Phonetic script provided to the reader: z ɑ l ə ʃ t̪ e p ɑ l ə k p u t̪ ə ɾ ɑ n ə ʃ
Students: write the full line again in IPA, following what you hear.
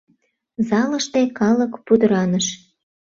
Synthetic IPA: z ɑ l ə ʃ t̪ e k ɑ l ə k p u d̪ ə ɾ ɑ n ə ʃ